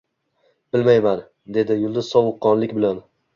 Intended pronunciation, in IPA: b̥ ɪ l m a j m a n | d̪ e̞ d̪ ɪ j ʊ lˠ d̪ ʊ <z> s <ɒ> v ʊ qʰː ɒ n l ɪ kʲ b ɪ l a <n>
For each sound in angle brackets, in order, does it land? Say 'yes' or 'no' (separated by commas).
yes, yes, yes